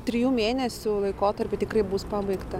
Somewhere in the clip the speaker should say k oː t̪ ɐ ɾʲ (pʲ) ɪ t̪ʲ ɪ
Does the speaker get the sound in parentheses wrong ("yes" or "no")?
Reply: no